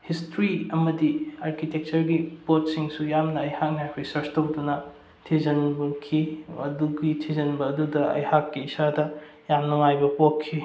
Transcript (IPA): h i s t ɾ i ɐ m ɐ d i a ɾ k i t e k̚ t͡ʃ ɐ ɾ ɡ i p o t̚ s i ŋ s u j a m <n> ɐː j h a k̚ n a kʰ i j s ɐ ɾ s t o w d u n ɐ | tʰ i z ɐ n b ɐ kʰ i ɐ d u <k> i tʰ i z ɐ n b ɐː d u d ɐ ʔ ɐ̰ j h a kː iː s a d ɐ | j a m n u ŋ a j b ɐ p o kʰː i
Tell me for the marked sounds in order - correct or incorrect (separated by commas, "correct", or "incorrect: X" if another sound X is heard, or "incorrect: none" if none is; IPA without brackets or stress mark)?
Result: correct, incorrect: ɡ